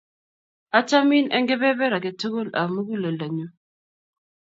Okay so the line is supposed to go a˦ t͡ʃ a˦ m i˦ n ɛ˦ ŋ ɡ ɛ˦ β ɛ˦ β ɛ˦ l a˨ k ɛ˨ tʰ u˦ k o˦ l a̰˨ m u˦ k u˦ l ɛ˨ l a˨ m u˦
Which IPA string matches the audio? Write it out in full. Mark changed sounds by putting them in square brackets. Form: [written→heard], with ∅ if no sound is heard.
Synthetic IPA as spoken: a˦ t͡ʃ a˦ m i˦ n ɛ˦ ŋ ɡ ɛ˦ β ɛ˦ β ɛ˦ [l→ɾ] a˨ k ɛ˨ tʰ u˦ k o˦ l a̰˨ m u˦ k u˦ l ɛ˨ l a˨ [m→ɲ] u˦

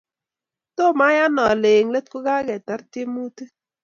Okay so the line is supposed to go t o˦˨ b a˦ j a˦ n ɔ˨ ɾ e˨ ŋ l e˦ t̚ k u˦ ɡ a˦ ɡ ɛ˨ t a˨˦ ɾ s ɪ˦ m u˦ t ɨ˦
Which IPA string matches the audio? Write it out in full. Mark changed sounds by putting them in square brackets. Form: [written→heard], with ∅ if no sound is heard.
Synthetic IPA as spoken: t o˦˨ [b→m] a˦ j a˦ n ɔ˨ [ɾ→l] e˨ ŋ l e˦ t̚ k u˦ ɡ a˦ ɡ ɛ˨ t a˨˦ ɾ [s→t] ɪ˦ m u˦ t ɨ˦

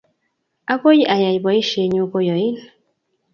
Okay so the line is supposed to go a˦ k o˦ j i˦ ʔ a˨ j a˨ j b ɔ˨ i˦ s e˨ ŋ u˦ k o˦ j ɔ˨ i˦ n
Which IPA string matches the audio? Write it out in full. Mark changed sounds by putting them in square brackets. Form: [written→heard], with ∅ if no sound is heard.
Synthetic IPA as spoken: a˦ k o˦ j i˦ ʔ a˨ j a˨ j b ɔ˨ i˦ [s→ʃ] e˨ [ŋ→ɲ] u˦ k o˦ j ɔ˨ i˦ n

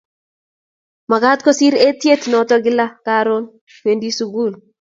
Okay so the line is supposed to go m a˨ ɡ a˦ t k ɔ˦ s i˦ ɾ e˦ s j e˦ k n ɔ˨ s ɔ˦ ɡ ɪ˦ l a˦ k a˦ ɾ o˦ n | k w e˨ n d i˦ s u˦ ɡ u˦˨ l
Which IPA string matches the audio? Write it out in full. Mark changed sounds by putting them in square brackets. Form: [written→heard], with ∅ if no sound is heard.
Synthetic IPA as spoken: m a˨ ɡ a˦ t k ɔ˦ s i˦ ɾ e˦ [s→t] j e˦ [k→t] n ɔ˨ [s→t] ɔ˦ ɡ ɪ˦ l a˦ k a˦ ɾ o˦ n | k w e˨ n d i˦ s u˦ ɡ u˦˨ l

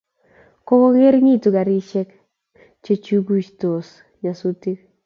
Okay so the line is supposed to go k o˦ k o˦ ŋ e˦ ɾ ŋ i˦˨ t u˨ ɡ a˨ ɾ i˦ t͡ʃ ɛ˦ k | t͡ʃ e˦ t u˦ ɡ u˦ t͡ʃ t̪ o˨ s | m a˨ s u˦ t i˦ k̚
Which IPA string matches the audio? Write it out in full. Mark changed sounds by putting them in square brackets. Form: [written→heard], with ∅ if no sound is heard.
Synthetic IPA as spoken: k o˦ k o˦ ŋ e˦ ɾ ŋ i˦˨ t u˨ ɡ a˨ ɾ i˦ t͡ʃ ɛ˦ k | t͡ʃ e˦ [t→t͡ʃ] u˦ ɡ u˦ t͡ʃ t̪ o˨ s | [m→ɲ] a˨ s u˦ t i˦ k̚

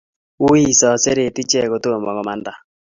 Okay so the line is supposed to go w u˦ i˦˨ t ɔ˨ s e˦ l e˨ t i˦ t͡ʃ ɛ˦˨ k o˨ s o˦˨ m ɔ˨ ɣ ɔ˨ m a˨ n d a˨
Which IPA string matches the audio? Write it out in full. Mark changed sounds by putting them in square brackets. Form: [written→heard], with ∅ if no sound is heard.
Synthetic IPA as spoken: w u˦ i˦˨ [t→s] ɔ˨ s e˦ [l→ɾ] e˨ t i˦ t͡ʃ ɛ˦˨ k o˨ [s→t] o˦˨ m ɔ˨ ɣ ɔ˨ m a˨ n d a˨

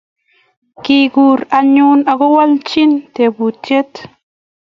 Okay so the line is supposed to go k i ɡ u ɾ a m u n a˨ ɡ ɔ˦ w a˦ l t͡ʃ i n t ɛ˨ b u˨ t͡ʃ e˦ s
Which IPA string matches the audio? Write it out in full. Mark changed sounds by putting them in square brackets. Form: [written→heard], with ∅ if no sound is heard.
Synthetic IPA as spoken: k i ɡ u ɾ a [m→ɲ] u n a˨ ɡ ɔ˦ w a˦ l t͡ʃ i n t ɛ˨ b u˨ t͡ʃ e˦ [s→t]

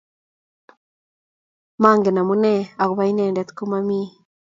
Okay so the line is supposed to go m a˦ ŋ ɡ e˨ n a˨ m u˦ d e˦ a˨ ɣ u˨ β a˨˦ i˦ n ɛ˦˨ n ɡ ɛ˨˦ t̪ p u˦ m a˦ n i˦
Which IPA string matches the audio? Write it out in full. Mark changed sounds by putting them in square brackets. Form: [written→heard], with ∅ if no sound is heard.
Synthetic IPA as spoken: m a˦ ŋ ɡ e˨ n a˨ m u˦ [d→n] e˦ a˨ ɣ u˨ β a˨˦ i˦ n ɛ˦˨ n [ɡ→d] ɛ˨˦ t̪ [p→k] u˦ m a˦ [n→m] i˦

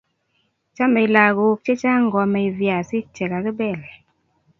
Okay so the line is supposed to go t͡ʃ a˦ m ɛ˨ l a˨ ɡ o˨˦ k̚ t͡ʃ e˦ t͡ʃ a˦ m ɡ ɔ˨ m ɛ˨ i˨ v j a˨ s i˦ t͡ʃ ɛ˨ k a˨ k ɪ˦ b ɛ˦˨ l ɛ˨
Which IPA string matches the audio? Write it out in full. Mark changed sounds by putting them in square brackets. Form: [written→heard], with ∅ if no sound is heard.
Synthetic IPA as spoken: t͡ʃ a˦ m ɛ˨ l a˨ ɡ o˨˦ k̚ t͡ʃ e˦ t͡ʃ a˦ [m→ŋ] ɡ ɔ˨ m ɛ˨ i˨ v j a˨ s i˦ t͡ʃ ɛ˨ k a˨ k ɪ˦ b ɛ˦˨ l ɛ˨

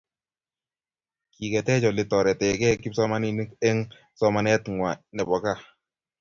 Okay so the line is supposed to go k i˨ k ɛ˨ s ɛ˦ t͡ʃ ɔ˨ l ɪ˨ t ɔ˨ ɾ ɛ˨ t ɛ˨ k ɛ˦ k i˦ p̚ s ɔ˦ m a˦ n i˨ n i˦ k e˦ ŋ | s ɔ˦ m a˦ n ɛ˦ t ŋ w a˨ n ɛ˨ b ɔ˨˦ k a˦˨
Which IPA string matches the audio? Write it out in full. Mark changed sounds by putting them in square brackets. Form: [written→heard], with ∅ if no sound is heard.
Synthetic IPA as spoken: k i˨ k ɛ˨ [s→t] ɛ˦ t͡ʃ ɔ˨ l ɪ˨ t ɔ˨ ɾ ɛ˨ t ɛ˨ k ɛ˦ k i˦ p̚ s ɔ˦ m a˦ n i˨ n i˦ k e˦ ŋ | s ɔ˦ m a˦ n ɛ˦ t ŋ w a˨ n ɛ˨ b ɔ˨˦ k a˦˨

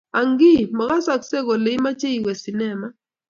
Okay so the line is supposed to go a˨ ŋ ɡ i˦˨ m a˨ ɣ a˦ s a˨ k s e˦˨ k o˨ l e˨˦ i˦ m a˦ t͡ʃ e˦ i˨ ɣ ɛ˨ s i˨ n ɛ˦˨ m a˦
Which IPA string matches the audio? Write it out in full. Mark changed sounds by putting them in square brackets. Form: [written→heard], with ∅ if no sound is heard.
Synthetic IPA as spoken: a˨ ŋ ɡ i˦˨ m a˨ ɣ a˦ s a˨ k s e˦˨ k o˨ l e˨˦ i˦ m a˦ t͡ʃ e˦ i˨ [ɣ→w] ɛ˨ s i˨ n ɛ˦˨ m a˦

